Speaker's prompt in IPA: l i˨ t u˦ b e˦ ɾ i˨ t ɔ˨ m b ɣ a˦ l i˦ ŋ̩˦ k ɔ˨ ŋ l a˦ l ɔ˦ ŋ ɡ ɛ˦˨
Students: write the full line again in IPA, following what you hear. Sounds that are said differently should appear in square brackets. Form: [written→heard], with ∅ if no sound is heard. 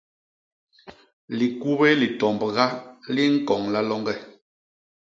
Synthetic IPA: l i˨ [t→k] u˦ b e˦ [ɾ→l] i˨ t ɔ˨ m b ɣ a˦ l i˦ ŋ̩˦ k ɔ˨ ŋ l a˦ l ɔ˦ ŋ ɡ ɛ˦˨

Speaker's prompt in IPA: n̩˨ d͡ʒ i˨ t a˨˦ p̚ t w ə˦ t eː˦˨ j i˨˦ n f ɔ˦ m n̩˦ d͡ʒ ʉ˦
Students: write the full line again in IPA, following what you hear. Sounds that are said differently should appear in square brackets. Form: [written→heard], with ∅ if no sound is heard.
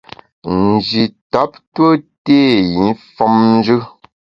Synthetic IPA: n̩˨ d͡ʒ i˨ t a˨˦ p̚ t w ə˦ t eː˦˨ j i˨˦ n f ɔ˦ m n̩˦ d͡ʒ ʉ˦

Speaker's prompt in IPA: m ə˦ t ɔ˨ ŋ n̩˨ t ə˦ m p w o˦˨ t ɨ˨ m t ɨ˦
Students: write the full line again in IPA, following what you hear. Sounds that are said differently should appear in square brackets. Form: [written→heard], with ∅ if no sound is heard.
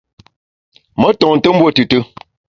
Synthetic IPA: m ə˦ t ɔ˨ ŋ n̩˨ t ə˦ m [p→b] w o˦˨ t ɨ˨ [m→∅] t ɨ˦

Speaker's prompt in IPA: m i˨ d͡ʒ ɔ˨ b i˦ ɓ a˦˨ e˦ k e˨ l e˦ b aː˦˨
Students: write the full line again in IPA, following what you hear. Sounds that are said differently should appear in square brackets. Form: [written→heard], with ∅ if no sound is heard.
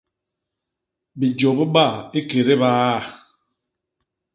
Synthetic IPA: [m→b] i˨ d͡ʒ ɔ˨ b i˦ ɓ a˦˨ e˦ k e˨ [l→ɾ] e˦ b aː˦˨

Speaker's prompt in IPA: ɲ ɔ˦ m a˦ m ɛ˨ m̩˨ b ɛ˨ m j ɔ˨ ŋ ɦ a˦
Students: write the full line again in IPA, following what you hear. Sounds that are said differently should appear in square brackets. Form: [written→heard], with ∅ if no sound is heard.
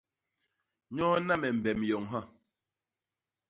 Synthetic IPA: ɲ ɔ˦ [m→n] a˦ m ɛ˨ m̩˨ b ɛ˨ m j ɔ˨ ŋ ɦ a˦

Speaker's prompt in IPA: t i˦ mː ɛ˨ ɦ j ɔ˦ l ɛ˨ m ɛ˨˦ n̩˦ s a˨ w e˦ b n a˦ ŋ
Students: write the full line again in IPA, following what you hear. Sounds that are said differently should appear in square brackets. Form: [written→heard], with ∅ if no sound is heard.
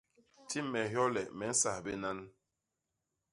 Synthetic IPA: t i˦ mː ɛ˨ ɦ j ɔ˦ l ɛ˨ m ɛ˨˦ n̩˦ s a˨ [w→b] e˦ [b→∅] n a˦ [ŋ→n]

